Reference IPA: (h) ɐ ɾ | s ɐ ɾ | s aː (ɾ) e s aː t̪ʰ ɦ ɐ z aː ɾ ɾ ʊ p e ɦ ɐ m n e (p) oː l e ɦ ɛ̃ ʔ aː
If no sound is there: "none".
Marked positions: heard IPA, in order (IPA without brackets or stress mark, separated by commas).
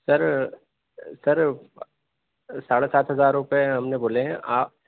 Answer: s, ɽ, b